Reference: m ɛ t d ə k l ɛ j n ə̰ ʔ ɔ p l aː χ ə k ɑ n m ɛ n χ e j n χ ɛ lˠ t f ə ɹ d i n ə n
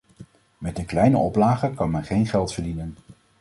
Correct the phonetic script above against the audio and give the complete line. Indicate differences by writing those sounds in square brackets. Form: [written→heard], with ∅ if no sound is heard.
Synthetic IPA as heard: m ɛ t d ə k l ɛ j n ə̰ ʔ ɔ p l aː χ ə k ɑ n m ɛ n χ e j n χ ɛ lˠ t f ə ɹ d i n ə n